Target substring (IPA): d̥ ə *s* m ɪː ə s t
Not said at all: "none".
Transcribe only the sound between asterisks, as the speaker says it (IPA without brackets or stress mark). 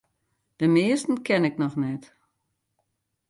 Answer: none